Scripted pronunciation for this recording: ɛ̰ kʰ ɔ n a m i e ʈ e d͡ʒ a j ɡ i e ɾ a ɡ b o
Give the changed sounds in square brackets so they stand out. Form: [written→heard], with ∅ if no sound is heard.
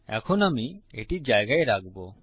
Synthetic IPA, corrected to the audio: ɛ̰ kʰ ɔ n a m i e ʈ [e→i] d͡ʒ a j ɡ [i→a] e ɾ a ɡ b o